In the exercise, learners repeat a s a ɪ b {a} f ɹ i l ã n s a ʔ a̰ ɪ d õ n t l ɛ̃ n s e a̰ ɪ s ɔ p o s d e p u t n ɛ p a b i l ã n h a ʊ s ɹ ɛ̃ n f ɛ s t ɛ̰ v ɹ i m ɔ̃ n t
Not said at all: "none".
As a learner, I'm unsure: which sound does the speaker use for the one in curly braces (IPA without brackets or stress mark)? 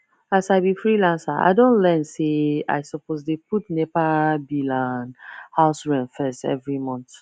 i